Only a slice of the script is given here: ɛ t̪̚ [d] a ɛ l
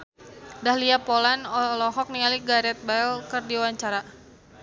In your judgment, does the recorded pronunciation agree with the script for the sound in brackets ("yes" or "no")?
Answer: no